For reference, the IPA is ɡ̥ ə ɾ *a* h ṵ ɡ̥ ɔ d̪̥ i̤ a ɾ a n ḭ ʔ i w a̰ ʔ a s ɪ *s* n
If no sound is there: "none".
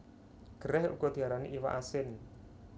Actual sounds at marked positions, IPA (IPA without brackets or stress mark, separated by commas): ɛ, none